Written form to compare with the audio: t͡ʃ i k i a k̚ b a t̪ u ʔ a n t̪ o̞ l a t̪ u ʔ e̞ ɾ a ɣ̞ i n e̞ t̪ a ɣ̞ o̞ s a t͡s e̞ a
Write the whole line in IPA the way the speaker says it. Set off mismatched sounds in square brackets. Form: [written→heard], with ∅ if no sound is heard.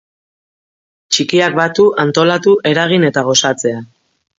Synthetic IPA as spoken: t͡ʃ i k i a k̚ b a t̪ u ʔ a n t̪ o̞ l a t̪ u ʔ e̞ ɾ a ɣ̞ i n e̞ t̪ a ɣ̞ o̞ s a t͡s e̞ a